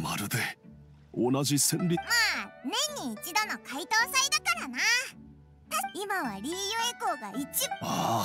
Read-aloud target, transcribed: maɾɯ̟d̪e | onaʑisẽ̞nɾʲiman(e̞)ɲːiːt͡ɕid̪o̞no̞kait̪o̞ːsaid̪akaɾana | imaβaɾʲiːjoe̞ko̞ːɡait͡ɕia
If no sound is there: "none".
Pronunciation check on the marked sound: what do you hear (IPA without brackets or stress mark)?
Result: ẽ̞